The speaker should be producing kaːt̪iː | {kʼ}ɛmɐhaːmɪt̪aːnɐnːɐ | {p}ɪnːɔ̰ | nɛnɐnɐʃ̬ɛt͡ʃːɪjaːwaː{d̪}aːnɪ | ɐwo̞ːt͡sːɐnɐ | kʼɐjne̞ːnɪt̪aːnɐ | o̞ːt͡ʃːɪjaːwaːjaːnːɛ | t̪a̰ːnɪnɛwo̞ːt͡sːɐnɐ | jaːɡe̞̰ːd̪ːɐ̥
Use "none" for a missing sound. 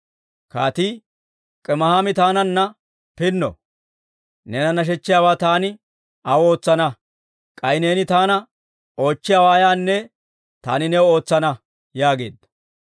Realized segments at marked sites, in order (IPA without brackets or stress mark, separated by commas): kʼ, p, t̪